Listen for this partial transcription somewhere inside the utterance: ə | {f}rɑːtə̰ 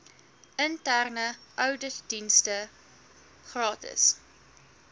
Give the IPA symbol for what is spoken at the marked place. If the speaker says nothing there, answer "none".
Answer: χ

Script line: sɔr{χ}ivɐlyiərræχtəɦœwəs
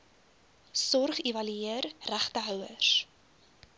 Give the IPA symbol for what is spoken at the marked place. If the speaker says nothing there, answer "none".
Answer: χ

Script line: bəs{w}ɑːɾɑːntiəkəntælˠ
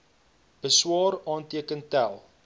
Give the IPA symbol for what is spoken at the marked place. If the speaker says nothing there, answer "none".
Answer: w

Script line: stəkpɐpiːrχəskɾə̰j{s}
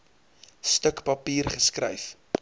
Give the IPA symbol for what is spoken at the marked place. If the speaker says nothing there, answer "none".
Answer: f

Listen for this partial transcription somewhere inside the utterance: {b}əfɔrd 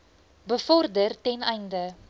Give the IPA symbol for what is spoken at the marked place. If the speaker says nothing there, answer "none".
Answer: b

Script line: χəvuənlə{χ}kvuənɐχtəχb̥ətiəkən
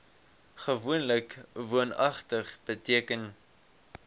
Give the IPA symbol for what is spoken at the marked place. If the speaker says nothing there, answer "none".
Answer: none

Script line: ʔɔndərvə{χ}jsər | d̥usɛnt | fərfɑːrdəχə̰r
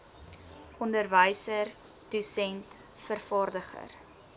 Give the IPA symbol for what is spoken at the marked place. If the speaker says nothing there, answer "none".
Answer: none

